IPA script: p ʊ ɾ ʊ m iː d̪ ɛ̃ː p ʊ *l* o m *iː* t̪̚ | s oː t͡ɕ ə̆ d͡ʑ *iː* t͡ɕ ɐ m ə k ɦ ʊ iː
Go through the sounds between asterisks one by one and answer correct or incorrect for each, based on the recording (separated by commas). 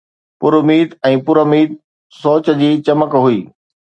incorrect, correct, correct